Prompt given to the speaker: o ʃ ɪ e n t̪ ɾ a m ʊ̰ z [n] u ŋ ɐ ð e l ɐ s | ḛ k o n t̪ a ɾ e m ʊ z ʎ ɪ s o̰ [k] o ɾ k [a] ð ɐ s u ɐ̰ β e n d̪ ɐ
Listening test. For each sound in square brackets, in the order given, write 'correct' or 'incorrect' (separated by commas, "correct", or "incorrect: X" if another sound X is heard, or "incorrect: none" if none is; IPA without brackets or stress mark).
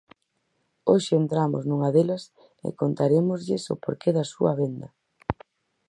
correct, incorrect: p, incorrect: e